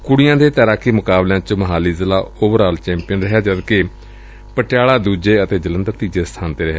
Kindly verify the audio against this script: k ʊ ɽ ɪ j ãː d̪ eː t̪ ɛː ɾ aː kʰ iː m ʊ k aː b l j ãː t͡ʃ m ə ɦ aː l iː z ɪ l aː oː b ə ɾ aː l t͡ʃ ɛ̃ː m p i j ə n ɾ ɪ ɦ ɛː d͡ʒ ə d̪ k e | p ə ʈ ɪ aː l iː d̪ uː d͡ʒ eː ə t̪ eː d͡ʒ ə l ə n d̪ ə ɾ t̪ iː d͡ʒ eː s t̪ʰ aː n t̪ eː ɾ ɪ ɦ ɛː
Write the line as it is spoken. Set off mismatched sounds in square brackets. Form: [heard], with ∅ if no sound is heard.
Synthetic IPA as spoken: k ʊ ɽ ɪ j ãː d̪ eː t̪ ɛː ɾ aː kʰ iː m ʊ k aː b l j ãː t͡ʃ m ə ɦ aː l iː z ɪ l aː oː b ə ɾ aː l t͡ʃ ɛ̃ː m p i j ə n ɾ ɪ ɦ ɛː d͡ʒ ə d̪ k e | p ə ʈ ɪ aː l [aː] d̪ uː d͡ʒ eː ə t̪ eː d͡ʒ ə l ə n d̪ ə ɾ t̪ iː d͡ʒ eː s t̪ʰ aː n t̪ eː ɾ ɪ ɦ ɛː